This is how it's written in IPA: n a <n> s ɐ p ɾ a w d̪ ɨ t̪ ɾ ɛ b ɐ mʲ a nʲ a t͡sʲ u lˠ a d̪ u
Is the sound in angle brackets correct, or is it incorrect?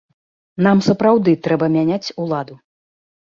incorrect